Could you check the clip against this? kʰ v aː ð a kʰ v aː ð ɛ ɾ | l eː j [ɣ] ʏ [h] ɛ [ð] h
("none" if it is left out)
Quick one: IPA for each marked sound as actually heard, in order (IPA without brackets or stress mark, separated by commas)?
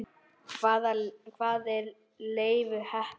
v, h, none